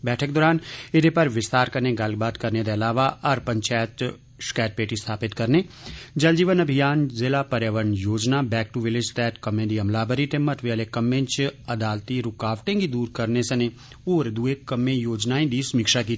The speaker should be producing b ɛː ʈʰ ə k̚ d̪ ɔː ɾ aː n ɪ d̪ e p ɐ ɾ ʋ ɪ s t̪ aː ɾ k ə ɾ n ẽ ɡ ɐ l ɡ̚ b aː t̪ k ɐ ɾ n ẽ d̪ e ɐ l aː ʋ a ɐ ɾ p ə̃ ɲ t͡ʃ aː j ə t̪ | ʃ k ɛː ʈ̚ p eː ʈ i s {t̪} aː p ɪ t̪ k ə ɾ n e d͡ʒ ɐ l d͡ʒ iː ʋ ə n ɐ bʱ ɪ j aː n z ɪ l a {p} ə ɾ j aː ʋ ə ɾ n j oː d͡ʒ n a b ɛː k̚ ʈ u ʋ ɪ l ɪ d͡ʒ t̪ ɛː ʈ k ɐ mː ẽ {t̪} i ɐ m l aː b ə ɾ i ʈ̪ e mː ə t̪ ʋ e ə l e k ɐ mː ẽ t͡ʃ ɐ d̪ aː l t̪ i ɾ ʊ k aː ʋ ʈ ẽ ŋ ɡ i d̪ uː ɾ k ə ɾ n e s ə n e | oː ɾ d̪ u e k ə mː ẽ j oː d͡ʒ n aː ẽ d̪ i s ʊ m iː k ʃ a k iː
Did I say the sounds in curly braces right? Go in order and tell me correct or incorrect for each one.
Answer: incorrect: t̪ʰ, correct, incorrect: d̪

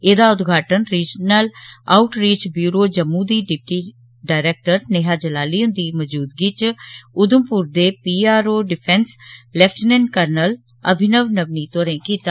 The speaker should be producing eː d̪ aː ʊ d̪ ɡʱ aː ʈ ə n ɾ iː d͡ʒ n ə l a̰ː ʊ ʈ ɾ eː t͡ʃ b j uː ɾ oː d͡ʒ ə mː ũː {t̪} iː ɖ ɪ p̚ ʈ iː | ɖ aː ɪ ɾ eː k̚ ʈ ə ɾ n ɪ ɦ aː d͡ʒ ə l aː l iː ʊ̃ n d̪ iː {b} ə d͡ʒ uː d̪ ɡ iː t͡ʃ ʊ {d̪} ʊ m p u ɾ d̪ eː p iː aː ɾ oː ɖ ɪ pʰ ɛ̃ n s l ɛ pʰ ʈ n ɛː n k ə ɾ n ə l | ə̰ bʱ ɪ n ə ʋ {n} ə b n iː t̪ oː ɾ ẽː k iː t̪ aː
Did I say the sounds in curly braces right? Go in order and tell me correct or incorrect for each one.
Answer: incorrect: d̪, incorrect: m, correct, correct

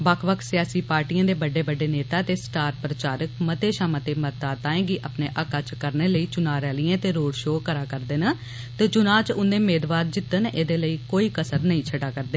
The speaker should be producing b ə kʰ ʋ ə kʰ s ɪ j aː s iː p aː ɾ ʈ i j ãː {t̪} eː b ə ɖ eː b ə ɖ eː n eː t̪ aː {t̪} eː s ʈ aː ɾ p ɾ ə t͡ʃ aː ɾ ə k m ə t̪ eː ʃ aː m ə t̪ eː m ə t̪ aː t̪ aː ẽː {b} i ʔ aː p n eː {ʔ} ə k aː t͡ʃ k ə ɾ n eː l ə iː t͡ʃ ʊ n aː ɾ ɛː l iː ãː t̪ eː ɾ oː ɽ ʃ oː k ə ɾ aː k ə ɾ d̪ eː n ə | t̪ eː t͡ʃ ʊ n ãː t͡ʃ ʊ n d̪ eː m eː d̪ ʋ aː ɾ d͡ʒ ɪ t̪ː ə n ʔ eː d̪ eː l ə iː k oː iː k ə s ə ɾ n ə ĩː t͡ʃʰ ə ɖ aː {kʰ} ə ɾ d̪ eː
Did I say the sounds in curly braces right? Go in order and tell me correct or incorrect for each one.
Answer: incorrect: d̪, correct, incorrect: ɡ, correct, incorrect: k

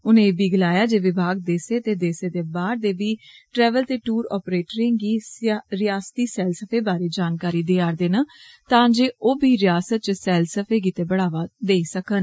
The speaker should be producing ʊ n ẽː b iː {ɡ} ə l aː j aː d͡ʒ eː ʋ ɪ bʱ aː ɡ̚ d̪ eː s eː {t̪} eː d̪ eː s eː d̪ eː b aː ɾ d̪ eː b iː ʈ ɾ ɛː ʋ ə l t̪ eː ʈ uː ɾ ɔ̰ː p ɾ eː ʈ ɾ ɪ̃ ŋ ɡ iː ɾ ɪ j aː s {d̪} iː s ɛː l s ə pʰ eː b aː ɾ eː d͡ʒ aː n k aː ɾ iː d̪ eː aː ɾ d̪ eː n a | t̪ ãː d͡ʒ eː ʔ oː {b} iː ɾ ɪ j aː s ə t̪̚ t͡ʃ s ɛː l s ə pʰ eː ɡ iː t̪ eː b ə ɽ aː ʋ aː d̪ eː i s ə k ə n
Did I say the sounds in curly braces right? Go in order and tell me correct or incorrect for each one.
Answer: correct, correct, incorrect: t̪, correct

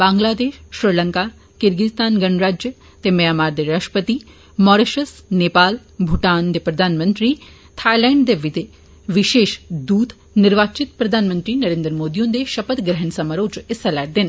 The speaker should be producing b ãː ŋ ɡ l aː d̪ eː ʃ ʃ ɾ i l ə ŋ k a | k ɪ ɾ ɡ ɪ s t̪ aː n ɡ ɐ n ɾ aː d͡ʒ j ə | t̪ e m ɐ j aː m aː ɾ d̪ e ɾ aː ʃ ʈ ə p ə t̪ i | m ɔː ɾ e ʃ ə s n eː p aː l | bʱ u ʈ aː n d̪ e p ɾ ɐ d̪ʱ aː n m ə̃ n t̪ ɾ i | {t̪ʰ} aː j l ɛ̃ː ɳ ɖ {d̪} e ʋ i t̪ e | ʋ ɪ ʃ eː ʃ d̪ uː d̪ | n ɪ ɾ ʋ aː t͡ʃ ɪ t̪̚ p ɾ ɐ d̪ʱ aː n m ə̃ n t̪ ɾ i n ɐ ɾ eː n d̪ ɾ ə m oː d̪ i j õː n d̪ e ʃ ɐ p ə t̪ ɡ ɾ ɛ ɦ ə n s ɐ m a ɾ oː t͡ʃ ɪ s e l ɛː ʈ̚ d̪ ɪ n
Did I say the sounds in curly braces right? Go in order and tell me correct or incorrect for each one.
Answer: correct, correct

